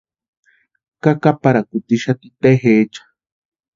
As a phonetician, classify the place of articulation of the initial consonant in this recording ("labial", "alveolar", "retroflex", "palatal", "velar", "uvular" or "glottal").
velar